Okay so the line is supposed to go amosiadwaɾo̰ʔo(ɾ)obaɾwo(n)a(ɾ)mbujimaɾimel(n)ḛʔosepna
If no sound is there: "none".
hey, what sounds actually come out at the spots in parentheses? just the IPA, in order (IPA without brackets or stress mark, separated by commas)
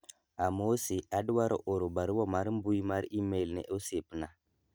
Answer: ɾ, m, ɾ, n